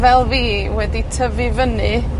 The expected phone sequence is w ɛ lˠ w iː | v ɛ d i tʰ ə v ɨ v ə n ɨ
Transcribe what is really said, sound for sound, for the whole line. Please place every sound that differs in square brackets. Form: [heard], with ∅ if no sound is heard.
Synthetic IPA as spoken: [v] ɛ lˠ [v] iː | [w] ɛ d i tʰ ə v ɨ v ə n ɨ